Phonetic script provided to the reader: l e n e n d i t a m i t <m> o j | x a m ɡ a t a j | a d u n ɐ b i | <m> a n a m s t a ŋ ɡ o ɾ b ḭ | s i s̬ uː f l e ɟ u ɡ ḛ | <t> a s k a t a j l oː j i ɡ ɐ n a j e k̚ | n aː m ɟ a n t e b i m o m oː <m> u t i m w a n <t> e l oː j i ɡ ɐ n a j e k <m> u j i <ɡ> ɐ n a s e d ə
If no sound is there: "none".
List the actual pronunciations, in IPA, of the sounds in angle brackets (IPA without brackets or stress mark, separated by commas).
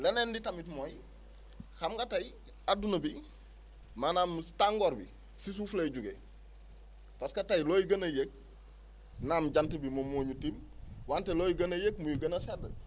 m, m, p, ɲ, t, m, ɡ